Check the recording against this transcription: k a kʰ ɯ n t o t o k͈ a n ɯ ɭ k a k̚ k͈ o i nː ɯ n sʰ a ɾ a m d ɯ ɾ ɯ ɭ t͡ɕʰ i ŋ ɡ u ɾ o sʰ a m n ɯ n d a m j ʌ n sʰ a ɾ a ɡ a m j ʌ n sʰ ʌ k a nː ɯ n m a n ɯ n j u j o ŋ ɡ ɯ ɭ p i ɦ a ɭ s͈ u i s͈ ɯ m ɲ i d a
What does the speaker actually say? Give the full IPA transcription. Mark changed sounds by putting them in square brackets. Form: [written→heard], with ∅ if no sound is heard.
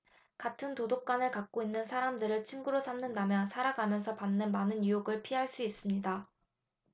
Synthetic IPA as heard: k a [kʰ→tʰ] ɯ n t o [t→d] o k͈ a n ɯ ɭ k a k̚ k͈ o i nː ɯ n sʰ a ɾ a m d ɯ ɾ ɯ ɭ t͡ɕʰ i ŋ ɡ u ɾ o sʰ a m n ɯ n d a m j ʌ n sʰ a ɾ a ɡ a m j ʌ n sʰ ʌ [k→p] a nː ɯ n m a n ɯ n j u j o [ŋ→∅] ɡ ɯ ɭ [p→pʰ] i ɦ a ɭ s͈ u i s͈ ɯ m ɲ i d a